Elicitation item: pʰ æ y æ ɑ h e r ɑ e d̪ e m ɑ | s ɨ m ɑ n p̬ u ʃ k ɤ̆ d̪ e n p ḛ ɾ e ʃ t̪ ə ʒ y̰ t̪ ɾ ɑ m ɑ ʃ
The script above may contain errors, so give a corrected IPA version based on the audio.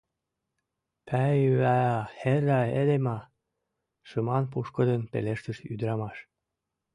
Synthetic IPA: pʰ æ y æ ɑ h e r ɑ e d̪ e m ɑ | ʃ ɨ m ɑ n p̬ u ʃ k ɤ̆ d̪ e n p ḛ l e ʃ t̪ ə ʃ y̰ d̪ ɾ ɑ m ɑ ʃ